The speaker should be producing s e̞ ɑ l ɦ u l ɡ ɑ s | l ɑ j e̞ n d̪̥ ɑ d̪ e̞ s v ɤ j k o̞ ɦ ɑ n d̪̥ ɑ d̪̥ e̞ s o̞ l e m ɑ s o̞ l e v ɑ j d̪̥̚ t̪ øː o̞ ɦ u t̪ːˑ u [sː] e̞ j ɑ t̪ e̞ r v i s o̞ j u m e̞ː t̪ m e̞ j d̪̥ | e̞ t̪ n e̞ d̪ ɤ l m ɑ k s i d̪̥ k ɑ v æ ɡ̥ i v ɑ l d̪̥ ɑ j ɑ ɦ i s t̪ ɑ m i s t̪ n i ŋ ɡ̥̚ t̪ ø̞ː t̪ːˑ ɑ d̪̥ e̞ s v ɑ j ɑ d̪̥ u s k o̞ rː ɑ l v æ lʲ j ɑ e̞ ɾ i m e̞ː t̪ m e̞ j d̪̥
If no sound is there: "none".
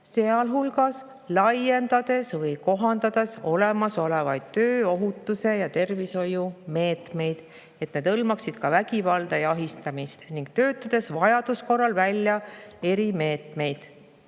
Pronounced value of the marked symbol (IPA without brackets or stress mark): s